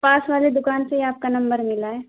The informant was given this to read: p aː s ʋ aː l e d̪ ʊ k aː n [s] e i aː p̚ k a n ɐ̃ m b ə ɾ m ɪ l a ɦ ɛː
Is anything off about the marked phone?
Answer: no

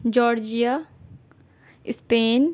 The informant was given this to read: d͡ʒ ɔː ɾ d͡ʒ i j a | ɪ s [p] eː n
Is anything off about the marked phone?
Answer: no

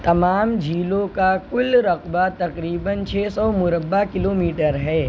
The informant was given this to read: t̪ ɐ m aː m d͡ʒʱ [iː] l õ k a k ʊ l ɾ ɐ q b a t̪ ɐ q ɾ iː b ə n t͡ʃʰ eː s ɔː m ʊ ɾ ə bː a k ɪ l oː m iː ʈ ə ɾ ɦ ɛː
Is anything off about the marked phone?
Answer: no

